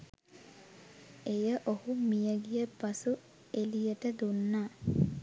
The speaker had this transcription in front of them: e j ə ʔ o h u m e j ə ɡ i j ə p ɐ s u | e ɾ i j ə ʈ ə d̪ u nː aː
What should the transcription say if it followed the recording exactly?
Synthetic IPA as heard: e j ə ʔ o h u m i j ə ɡ i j ə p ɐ s u | e l i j ə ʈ ə d̪ u nː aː

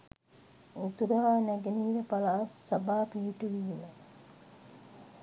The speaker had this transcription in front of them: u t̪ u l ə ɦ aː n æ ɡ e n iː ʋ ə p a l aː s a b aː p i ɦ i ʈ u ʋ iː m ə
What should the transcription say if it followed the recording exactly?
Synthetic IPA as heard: u t̪ u ɾ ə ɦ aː n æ ɡ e n iː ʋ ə p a l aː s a b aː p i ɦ i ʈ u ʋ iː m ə

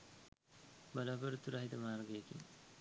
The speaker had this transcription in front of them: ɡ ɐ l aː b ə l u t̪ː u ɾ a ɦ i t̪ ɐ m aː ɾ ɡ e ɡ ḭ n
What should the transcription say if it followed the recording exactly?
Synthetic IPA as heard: b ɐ l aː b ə ɾ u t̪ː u ɾ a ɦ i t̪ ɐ m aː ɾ ɡ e k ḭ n

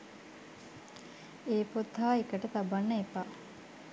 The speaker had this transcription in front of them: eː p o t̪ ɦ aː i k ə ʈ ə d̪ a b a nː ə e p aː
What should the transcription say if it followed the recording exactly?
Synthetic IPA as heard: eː p o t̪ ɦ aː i k ə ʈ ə t̪ a b a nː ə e p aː

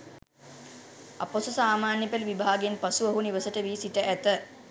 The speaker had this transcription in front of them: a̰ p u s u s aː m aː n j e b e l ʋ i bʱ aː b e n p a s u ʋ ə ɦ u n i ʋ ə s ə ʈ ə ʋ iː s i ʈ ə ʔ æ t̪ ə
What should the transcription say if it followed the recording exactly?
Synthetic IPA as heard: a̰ p o s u s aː m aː n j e p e l ʋ i bʱ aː ɡ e n p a s u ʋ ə ɦ u n i ʋ ə s ə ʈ ə ʋ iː s i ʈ ə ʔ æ t̪ ə

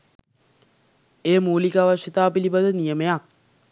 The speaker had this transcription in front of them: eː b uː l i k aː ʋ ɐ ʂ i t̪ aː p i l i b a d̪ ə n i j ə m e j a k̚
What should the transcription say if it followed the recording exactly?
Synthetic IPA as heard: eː m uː l i k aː ʋ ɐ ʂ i t̪ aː p i l i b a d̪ ə n i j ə m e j a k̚

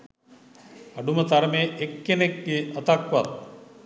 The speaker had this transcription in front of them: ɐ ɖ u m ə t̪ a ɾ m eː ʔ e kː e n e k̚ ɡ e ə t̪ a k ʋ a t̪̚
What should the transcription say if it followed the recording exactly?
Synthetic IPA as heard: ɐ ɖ u m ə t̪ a ɾ m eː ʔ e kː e n e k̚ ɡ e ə t̪ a k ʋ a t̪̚

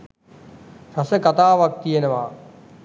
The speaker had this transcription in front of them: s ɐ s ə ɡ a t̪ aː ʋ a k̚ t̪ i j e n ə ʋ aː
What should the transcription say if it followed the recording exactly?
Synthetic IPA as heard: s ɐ s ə k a t̪ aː ʋ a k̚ t̪ i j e n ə ʋ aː

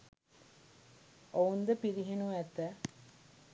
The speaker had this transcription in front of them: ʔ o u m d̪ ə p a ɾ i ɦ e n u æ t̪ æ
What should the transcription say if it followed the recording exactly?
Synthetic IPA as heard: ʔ o u n d̪ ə p i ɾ i ɦ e n u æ t̪ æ

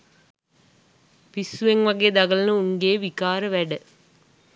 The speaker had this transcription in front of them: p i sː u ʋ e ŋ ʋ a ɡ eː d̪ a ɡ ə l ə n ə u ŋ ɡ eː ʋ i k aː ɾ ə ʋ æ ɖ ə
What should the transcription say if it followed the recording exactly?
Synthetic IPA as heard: p i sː u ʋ e ŋ ʋ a ɡ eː d̪ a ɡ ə l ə n ə u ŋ ɡ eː ʋ i k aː ɾ ə ʋ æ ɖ ə

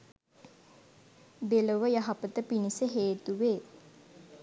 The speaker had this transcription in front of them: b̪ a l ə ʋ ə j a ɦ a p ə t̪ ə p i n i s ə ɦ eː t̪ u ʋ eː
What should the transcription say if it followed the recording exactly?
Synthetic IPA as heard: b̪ e l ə ʋ ə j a ɦ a p ə t̪ ə p i n i s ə ɦ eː t̪ u ʋ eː

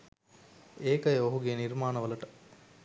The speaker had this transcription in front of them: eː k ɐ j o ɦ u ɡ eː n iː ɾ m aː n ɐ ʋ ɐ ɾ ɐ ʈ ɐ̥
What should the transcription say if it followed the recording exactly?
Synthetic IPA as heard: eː k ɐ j o ɦ u ɡ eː n i ɾ m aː n ɐ ʋ ɐ l ɐ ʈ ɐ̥

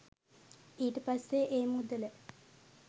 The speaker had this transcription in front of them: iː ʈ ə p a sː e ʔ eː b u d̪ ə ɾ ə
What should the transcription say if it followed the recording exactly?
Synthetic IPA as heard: iː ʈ ə p a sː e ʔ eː m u d̪ ə l ə

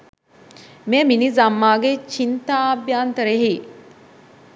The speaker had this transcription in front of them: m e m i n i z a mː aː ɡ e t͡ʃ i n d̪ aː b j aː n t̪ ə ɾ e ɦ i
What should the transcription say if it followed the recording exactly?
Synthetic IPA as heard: m e m i n i z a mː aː ɡ e t͡ʃ i n t̪ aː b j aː n t̪ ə ɾ e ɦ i

